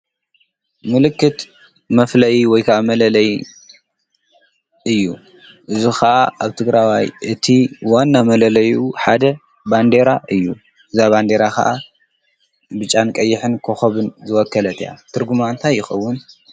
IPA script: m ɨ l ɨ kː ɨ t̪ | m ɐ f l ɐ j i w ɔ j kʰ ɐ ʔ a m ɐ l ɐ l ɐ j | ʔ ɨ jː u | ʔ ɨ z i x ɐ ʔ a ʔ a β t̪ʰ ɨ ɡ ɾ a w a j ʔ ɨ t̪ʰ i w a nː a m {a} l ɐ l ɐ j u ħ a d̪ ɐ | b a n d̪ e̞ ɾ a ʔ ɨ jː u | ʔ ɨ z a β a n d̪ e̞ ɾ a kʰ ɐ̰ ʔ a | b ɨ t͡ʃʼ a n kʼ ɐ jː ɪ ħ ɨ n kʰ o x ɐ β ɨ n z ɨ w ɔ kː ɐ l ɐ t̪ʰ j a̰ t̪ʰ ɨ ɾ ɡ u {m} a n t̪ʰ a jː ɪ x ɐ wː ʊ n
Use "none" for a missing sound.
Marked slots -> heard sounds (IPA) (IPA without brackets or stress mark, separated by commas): ɐ, m